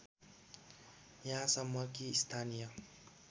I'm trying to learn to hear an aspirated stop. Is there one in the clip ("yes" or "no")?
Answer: yes